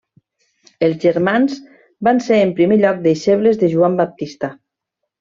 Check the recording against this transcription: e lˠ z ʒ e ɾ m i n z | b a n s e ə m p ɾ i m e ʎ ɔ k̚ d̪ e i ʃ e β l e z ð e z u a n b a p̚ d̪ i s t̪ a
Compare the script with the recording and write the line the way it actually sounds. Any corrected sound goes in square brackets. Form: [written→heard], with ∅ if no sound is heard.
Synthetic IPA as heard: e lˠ z ʒ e ɾ m [i→a] n z | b a n s e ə m p ɾ i m e ʎ ɔ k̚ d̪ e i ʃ e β l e z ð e [z→ʒ] u a [n→m] b a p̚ [d̪→t̪] i s t̪ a

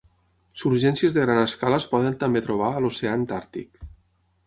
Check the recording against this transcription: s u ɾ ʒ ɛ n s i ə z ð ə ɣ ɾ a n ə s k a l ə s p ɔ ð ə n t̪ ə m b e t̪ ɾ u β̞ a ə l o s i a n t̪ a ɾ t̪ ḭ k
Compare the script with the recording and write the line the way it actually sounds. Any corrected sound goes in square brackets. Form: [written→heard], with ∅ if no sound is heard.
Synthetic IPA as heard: s u ɾ ʒ ɛ n s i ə z ð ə ɣ ɾ a n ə s k a l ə s p ɔ ð ə n t̪ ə m b e t̪ ɾ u β̞ a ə l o s [i→e] a n t̪ a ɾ t̪ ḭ k

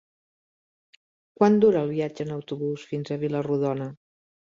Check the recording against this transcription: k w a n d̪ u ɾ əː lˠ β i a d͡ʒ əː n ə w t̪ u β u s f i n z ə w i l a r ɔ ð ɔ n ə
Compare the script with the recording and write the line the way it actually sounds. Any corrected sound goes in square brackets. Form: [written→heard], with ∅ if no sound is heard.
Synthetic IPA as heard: k w a n d̪ u ɾ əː lˠ β i a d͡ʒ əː n ə w t̪ u β u s f i n z ə [w→β] i l [a→ə] r [ɔ→u] ð ɔ n ə

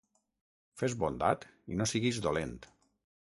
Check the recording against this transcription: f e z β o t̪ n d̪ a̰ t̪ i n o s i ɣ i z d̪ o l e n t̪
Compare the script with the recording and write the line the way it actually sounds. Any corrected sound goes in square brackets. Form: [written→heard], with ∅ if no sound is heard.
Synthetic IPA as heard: f e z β o [t̪→∅] n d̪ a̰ t̪ i n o s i ɣ i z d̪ o l e n t̪

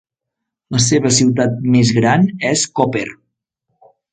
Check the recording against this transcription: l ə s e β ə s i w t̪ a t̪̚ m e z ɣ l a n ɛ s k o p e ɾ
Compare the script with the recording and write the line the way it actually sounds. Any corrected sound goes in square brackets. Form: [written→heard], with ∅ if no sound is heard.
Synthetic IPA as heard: l ə s e β ə s i w t̪ a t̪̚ m e z ɣ [l→ɾ] a n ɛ s k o p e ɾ

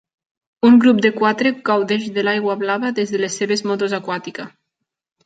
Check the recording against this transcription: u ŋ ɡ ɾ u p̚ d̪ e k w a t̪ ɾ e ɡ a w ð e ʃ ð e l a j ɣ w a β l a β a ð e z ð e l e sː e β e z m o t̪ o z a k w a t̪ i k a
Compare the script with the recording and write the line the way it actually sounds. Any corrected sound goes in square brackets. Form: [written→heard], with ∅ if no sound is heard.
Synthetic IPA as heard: u ŋ ɡ ɾ u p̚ d̪ e k w a t̪ ɾ e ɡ a w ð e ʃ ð e l a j ɣ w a β l a β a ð e z ð e l e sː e β e z m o t̪ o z a k w a t̪ i k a

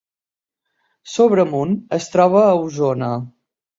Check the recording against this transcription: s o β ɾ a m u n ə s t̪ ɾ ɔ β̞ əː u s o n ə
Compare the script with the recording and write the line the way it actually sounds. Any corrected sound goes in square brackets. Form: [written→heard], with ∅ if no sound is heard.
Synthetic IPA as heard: s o β ɾ [a→ə] m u n ə s t̪ ɾ ɔ β̞ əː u [s→z] o n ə

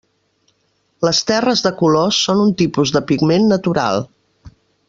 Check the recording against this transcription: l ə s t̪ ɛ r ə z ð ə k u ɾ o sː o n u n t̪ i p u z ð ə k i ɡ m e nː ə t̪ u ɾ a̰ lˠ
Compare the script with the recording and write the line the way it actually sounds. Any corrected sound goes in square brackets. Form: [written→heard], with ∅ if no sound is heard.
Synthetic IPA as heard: l ə s t̪ ɛ r ə z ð ə k u [ɾ→l] o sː o n u n t̪ i p u z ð ə [k→p] i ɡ m e nː ə t̪ u ɾ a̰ lˠ

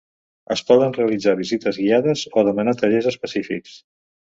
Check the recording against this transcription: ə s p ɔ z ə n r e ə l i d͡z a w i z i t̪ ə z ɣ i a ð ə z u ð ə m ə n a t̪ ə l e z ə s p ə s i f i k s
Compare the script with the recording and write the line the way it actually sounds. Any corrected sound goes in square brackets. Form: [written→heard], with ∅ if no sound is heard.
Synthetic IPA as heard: ə s p ɔ [z→ð] ə n r e ə l i d͡z a [w→β] i z i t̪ ə z ɣ i a ð ə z [u→o] ð ə m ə n a t̪ ə [l→ʎ] e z ə s p ə s i f i k s

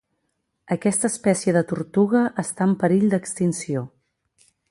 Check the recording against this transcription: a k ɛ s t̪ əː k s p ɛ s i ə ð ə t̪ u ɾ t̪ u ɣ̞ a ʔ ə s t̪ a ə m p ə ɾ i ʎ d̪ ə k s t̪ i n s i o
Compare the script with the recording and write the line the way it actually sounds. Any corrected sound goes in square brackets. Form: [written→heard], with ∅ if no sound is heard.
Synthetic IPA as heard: [a→ə] k ɛ s t̪ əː [k→∅] s p ɛ s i ə ð ə t̪ u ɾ t̪ u ɣ̞ [a→ə] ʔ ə s t̪ a ə m p ə ɾ i ʎ d̪ ə k s t̪ i n s i o

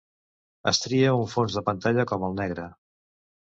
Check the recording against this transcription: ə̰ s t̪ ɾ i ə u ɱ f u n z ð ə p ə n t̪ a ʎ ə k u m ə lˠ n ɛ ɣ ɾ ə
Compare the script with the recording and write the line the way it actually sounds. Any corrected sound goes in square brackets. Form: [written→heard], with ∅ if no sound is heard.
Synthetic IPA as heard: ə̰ s t̪ ɾ i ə u ɱ f [u→o] n z ð ə p ə n t̪ a ʎ ə k [u→ɔ] m ə lˠ n ɛ ɣ ɾ ə

